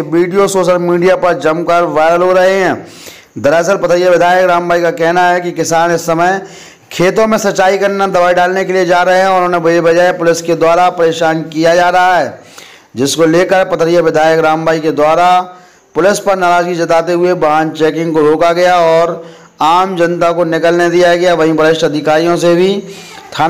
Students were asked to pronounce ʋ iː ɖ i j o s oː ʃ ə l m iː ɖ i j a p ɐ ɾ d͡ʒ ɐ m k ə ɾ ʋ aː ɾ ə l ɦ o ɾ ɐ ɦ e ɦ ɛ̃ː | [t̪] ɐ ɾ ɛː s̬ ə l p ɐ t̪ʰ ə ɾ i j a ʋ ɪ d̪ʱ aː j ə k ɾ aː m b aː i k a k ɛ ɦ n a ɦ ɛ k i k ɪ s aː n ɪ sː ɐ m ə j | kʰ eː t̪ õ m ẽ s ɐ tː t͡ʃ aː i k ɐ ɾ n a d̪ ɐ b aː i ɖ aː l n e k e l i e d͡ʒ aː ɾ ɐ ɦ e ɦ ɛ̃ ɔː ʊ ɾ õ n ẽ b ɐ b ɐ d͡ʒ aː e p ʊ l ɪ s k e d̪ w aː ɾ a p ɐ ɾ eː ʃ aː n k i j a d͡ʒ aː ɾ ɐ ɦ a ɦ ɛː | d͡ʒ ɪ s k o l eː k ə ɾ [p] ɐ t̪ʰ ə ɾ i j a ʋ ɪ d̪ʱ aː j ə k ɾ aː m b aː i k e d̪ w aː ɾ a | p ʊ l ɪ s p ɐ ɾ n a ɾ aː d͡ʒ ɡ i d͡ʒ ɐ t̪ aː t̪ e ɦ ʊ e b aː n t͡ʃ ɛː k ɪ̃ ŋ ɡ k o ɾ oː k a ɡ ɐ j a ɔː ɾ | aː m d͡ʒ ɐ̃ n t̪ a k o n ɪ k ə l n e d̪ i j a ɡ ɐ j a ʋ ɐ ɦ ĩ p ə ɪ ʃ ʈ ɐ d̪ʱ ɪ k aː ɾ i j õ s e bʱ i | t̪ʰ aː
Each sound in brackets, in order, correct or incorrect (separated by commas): incorrect, correct